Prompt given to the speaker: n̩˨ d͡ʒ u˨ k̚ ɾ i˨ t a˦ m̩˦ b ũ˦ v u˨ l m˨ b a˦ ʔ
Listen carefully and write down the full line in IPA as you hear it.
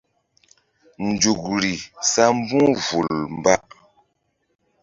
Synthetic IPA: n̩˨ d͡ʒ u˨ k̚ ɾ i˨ s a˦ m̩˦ b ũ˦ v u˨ l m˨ b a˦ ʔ